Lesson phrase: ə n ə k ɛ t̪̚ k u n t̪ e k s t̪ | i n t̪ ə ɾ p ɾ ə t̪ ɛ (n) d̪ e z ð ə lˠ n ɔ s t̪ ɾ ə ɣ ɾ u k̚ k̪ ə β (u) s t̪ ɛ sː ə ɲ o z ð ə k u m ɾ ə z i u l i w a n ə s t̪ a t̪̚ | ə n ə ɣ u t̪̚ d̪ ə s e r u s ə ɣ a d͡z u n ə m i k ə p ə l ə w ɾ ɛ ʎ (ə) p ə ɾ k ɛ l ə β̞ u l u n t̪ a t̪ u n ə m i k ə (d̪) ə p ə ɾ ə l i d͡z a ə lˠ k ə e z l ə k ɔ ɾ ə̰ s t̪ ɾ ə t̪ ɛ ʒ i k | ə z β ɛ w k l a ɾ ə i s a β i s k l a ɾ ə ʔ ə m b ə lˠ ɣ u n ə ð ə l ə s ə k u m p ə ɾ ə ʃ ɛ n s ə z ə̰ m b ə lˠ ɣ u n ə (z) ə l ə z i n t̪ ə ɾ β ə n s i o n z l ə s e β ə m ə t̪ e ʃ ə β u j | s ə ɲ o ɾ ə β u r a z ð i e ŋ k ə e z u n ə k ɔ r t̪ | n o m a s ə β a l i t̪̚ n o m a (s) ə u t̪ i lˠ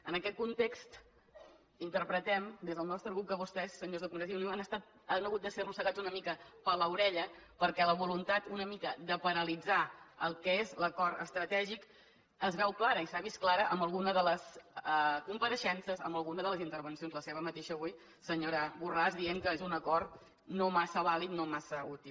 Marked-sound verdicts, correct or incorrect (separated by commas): incorrect, correct, correct, correct, incorrect, correct